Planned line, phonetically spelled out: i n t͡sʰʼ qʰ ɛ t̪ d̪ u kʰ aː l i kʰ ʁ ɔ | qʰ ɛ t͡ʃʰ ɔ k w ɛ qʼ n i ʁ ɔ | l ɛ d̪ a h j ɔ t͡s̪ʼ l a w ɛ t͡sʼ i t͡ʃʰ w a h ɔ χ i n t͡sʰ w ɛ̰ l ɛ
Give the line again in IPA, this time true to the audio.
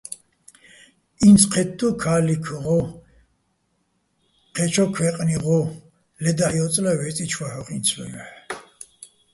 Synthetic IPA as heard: i n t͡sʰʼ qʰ ɛ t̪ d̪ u kʰ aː l i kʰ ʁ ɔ | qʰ ɛ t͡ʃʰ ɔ kʰ w ɛ qʼ n i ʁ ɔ | l ɛ d̪ a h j ɔ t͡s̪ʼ l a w ɛ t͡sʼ i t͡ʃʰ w a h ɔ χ i n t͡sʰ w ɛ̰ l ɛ